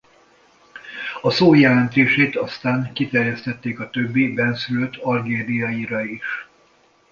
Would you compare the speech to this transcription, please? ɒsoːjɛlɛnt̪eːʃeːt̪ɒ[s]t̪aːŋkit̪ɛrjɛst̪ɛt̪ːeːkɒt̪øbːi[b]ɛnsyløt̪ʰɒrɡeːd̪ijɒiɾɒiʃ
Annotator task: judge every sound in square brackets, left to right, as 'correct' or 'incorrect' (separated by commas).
correct, correct